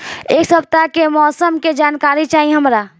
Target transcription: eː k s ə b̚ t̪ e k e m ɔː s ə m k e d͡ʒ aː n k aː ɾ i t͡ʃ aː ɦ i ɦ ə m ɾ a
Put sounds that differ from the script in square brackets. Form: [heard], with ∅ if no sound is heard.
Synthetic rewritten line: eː k s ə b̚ t̪ [a] k e m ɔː s ə m k e d͡ʒ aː n k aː ɾ i t͡ʃ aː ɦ i ɦ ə m ɾ a

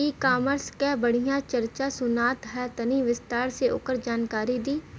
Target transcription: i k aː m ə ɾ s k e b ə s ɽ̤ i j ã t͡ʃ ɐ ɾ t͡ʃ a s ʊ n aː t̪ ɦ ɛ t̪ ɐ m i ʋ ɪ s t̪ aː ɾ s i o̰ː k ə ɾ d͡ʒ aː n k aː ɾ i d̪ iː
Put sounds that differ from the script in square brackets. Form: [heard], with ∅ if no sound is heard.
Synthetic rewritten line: i k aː m ə ɾ s k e b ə [∅] ɽ̤ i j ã t͡ʃ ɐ ɾ t͡ʃ a s ʊ n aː t̪ ɦ ɛ t̪ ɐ [n] i ʋ ɪ s t̪ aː ɾ s [e] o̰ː k ə ɾ d͡ʒ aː n k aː ɾ i d̪ iː

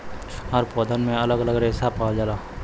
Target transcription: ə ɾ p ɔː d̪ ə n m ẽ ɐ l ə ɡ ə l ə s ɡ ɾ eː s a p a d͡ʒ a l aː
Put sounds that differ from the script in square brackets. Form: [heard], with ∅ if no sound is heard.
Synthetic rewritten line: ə ɾ p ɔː d̪ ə n m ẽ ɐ l ə ɡ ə l ə [∅] ɡ ɾ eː s a p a d͡ʒ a l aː

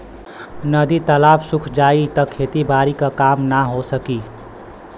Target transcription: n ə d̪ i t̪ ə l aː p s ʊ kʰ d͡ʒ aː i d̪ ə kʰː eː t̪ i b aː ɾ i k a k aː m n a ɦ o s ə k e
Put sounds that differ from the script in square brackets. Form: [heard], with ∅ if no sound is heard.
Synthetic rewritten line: n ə d̪ i t̪ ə l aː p s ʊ kʰ d͡ʒ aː i [t̪] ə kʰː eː t̪ i b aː ɾ i k a k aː m n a ɦ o s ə k [i]

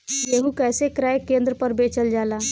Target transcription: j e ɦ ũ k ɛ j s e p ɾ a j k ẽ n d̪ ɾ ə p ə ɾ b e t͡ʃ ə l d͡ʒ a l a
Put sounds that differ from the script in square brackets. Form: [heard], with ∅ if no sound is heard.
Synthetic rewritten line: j e ɦ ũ k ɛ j s e [k] ɾ a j k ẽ n d̪ ɾ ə p ə ɾ b e t͡ʃ ə l d͡ʒ a l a

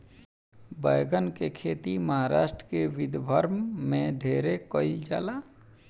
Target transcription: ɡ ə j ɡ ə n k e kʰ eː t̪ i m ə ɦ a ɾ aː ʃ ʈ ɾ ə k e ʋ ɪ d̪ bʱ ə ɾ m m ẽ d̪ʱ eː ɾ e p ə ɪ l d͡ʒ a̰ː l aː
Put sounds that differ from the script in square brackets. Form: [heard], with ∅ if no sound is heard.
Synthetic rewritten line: [b] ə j ɡ ə n k e kʰ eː t̪ i m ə ɦ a ɾ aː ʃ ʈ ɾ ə k e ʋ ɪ d̪ bʱ ə ɾ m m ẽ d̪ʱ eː ɾ e [k] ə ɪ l d͡ʒ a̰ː l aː

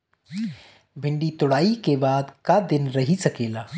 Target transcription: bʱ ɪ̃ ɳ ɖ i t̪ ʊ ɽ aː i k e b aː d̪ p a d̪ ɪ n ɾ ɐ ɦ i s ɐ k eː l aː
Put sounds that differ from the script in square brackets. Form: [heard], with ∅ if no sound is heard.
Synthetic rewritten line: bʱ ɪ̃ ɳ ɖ i t̪ ʊ ɽ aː i k e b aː d̪ [k] a d̪ ɪ n ɾ ɐ ɦ i s ɐ k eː l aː

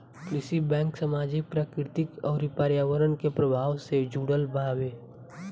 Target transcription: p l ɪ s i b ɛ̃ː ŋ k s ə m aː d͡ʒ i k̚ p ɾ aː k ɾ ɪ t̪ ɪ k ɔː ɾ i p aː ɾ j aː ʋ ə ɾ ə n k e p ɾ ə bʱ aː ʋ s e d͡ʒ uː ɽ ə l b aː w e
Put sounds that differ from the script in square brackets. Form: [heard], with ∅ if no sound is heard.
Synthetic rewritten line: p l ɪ s i b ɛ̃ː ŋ k s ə m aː d͡ʒ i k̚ p ɾ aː k ɾ ɪ t̪ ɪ k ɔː ɾ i p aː ɾ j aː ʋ ə ɾ ə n k e p ɾ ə bʱ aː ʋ s e d͡ʒ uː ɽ ə l b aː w e

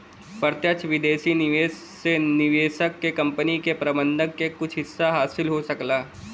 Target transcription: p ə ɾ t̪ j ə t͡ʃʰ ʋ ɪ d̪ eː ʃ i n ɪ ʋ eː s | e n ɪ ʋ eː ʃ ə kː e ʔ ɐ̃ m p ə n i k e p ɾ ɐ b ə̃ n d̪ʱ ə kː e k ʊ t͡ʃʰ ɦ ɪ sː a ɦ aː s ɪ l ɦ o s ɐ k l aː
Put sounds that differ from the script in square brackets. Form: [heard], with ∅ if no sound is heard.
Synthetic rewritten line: p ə ɾ t̪ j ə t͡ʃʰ ʋ ɪ d̪ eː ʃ i n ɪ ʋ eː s | e n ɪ ʋ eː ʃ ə kː e [k] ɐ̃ m p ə n i k e p ɾ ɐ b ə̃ n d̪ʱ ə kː e k ʊ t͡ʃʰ ɦ ɪ sː a ɦ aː s ɪ l ɦ o s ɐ k l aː

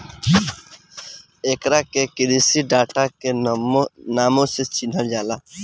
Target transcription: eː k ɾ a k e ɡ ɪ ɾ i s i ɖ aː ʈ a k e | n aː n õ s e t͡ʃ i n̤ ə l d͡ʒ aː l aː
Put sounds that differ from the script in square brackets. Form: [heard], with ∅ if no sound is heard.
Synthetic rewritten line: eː k ɾ a k e [k] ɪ ɾ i s i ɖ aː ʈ a k e | n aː [m] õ s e t͡ʃ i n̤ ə l d͡ʒ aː l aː

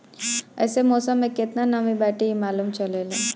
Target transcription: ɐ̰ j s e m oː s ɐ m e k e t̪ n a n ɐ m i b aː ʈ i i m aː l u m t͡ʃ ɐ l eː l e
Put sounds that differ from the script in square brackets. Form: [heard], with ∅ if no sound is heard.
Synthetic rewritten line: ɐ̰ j s e m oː s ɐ m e k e t̪ n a n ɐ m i b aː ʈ i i m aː l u m t͡ʃ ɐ l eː l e

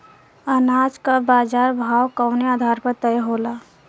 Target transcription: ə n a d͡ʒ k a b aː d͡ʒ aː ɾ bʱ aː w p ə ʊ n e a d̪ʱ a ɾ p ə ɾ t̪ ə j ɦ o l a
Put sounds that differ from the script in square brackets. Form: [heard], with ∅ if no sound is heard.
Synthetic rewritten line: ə n a d͡ʒ k a b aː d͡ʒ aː ɾ bʱ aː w [k] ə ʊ n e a d̪ʱ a ɾ p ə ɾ t̪ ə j ɦ o l a

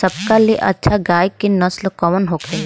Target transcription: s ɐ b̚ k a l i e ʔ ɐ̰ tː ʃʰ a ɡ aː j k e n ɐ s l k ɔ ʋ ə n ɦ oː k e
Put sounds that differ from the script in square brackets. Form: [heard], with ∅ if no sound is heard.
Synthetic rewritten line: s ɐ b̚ k a l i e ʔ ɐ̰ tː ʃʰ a ɡ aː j k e n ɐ s l k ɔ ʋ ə n ɦ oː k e

